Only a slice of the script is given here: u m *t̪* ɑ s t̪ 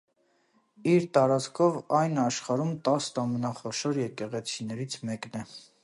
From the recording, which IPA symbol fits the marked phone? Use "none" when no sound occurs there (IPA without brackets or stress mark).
t̪